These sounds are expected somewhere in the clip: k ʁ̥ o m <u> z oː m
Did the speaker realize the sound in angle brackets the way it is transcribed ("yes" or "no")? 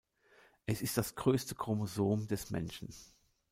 no